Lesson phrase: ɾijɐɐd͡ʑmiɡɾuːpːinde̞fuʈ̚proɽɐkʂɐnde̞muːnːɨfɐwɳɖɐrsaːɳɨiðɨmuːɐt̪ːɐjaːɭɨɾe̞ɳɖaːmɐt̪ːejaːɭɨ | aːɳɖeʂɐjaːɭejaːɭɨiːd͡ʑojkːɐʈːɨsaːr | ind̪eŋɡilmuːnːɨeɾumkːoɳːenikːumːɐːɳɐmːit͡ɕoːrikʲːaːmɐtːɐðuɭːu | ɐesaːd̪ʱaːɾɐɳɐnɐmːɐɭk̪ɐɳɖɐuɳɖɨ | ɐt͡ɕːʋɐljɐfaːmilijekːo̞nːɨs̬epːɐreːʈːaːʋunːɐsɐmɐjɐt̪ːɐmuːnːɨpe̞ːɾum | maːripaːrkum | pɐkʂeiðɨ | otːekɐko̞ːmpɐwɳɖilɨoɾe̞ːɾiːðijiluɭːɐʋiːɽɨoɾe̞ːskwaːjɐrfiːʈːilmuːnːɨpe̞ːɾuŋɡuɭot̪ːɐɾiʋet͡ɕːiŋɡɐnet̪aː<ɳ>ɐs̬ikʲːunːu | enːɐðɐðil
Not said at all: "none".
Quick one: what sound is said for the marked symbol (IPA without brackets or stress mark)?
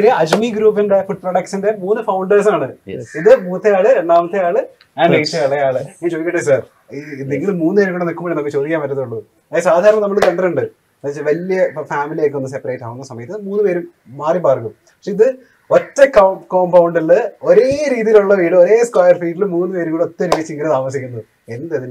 m